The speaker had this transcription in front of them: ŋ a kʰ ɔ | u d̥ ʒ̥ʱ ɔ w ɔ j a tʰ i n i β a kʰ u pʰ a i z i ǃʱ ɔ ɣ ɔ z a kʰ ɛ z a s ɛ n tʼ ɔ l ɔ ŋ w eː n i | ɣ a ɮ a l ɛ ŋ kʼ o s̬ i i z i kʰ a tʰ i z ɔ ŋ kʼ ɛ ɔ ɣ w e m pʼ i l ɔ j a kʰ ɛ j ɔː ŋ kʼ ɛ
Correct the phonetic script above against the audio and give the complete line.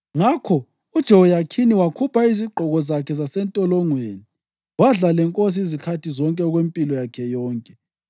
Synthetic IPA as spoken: ŋ a kʰ ɔ | u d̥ ʒ̥ʱ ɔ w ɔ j a kʰ i n i w a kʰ u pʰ a i z i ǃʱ ɔ ɣ ɔ z a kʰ ɛ z a s ɛ n tʼ ɔ l ɔ ŋ w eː n i | w a ɮ a l ɛ ŋ kʼ o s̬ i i z i kʰ a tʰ i z ɔ ŋ kʼ ɛ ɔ ɣ w e m pʼ i l ɔ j a kʰ ɛ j ɔː ŋ kʼ ɛ